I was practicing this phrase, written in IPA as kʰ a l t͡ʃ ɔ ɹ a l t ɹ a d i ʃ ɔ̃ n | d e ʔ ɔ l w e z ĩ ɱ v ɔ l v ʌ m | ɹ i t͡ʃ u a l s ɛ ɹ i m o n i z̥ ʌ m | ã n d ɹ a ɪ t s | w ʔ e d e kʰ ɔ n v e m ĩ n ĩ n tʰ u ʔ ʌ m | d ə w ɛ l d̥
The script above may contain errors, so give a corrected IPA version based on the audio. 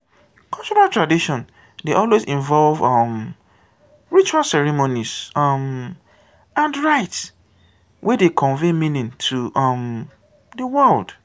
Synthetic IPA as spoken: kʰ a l t͡ʃ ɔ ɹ a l t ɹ a d i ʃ ɔ̃ n | d e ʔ ɔ l w e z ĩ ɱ v ɔ l v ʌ m | ɹ i t͡ʃ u a l s ɛ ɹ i m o n i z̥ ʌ m | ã n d ɹ a ɪ t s | w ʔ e d e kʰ ɔ̃ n v e m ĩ n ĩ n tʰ u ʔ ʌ m | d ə w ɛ l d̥

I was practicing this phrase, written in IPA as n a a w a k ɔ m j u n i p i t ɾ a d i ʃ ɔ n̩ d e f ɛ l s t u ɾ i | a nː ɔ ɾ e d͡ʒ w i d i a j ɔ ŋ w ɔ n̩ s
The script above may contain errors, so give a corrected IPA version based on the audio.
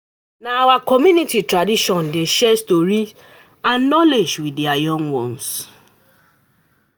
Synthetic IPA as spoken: n a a w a k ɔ m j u n i t i t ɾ a d i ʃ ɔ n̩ d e ʃ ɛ s t o ɾ i | a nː ɔ l e d͡ʒ w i d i a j ɔ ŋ w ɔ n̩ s

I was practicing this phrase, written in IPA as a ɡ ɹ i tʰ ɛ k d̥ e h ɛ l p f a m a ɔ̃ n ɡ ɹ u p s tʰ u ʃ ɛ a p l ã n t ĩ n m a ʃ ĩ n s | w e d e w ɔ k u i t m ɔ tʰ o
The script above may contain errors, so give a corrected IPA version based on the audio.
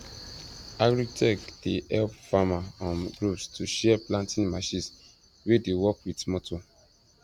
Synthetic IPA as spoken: a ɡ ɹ i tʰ ɛ k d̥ e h ɛ l p f a m a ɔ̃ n ɡ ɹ u p s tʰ u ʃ ɛ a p l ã n t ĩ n m a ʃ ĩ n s | w e d e w ɔ k w i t m ɔ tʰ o

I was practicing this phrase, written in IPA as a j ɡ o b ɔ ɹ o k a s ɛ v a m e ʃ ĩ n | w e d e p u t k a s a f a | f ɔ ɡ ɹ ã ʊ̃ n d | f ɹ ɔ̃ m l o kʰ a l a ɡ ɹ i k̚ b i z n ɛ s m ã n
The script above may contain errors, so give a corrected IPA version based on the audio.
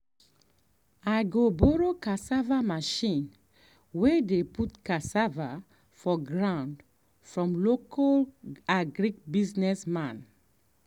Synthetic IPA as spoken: a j ɡ o b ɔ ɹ o k a s a v a m a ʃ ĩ n | w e d e p u t k a s a v a | f ɔ ɡ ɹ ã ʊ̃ n d | f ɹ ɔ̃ m l o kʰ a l a ɡ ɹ i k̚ b i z n ɛ s m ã n

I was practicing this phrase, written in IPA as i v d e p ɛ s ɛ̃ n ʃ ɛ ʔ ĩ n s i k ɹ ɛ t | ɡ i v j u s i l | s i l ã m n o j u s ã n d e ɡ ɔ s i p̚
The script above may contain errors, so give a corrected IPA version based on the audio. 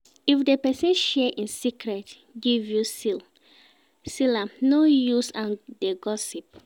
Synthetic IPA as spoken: i f d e p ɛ s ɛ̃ n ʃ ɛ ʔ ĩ n s i k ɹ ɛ t | ɡ i v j u s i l | s i l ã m n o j u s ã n d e ɡ ɔ s i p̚

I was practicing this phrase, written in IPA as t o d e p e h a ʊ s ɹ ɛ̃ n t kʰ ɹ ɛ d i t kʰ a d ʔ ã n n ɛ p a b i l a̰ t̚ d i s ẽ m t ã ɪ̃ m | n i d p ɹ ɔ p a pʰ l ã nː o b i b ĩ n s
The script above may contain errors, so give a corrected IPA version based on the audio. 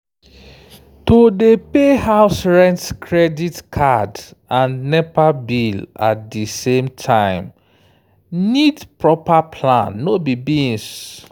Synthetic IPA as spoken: t o d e p e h a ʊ s ɹ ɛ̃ n t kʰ ɹ ɛ d i t kʰ a d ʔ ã n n ɛ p a b i l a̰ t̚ d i s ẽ m tʰ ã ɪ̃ m | n i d p ɹ ɔ p a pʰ l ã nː o b i b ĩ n s

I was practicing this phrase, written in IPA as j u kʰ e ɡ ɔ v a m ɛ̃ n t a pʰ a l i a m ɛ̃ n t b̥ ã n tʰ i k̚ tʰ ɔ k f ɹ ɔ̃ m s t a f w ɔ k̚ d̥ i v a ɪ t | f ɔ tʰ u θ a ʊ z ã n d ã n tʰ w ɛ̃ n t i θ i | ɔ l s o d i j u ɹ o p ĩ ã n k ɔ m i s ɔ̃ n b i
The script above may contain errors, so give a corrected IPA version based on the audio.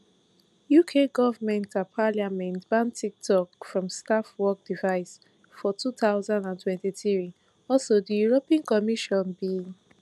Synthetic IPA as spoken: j u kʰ e ɡ ɔ v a m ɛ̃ n t a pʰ a l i a m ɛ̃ n t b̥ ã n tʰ i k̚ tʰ ɔ k f ɹ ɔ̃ m s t a f w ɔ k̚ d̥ i v a ɪ s | f ɔ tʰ u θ a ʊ z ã n d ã n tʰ w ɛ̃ n t i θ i | ɔ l s o d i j u ɹ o p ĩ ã n k ɔ m i ʃ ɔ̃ n b i

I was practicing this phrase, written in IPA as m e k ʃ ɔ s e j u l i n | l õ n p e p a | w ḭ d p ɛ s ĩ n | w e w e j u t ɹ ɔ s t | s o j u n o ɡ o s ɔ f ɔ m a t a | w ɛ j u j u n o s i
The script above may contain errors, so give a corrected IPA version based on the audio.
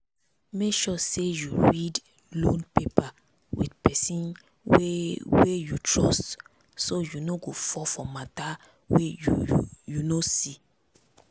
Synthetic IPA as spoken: m e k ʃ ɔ s e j u ɹ i d | l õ n p e p a | w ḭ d p ɛ s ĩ n | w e w e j u t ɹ ɔ s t | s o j u n o ɡ o f ɔ f ɔ m a t a | w e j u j u n o s i

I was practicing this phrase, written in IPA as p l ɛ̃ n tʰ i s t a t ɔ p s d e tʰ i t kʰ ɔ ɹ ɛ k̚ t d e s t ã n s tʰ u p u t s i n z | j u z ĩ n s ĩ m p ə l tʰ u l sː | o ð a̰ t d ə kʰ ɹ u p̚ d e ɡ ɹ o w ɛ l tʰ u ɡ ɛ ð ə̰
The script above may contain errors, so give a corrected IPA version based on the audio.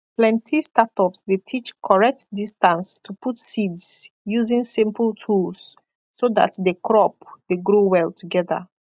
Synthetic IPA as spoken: p l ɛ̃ n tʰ i s t a t ɔ p s d e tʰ i t͡ʃ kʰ ɔ ɹ ɛ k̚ t d i s t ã n s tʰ u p u t s i d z | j u z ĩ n s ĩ m p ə l tʰ u l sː | o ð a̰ t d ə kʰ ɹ ɔ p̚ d e ɡ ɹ o w ɛ l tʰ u ɡ ɛ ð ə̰

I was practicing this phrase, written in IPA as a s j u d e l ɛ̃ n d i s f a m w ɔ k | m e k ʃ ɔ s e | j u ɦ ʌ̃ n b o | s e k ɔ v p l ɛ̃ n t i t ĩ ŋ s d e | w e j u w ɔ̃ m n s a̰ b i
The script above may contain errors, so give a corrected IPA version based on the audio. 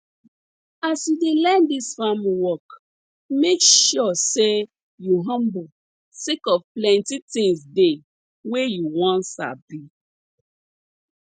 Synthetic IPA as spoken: a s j u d e l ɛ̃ n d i s f a m w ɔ k | m e k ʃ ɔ s e | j u ɦ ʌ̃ m b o | s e k ɔ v p l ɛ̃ n t i t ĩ ŋ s d e | w e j u w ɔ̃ n s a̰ b i

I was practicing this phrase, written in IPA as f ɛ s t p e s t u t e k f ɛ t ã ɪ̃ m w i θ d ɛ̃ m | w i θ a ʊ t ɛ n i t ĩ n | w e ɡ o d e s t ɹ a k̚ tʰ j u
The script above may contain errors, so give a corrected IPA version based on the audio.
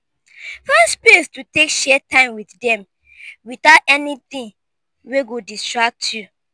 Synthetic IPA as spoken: f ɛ s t p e s t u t e k ʃ ɛ t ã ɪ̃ m w i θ d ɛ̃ m | w i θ a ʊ t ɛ n i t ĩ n | w e ɡ o d i s t ɹ a k̚ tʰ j u

